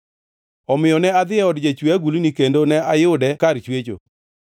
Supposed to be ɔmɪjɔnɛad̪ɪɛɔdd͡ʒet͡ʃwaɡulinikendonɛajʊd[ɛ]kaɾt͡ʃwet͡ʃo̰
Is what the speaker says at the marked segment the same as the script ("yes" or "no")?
yes